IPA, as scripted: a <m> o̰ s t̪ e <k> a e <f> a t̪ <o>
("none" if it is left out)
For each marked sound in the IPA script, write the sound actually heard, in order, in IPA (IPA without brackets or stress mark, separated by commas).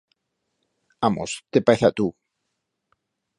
m, p, θ, u